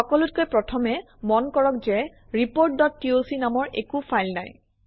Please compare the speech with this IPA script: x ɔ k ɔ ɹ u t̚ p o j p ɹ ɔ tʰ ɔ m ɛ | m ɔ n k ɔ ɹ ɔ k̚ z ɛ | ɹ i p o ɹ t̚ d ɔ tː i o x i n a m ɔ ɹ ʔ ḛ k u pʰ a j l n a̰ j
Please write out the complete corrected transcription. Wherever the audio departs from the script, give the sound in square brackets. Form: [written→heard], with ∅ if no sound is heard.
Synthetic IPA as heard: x ɔ k ɔ [ɹ→l] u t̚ [p→k] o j p ɹ ɔ tʰ ɔ m ɛ | m ɔ n k ɔ ɹ ɔ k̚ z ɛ | ɹ i p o ɹ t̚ d ɔ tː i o [x→s] i n a m ɔ ɹ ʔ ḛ k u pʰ a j l n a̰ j